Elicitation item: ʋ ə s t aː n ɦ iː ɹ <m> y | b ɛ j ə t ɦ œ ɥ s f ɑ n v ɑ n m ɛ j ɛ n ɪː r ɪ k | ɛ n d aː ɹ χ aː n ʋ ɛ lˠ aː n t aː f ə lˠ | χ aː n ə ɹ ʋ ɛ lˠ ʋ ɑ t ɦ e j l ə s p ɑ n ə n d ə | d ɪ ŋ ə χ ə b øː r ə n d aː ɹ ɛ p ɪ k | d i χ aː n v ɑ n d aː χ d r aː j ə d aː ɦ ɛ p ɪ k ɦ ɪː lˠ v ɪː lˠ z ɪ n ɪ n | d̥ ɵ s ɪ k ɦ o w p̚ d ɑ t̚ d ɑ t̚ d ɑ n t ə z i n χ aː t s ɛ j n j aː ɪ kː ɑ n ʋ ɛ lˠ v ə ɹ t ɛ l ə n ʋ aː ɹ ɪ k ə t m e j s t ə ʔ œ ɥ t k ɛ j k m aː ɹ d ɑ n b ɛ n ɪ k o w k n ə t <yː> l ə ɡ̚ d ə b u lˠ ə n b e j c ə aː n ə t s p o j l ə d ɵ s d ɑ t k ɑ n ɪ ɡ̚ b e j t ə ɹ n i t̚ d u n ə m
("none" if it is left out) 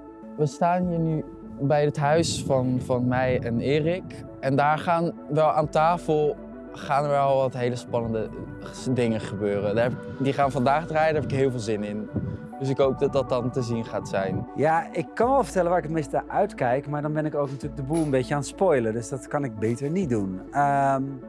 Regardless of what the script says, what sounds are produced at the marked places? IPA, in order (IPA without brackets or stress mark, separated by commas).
n, yː